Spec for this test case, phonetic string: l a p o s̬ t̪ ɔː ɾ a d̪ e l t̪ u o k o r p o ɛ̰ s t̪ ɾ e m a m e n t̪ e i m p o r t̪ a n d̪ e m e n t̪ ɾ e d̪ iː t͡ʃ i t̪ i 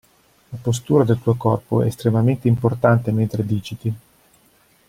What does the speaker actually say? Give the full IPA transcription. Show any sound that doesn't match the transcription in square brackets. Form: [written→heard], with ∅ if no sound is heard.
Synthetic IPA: l a p o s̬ t̪ [ɔː→uː] ɾ a d̪ e l t̪ u o k [o→ɔ] r p o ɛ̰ s t̪ ɾ e m a m e n t̪ e i m p o r t̪ a n [d̪→t̪] e m e n t̪ ɾ e d̪ iː t͡ʃ i t̪ i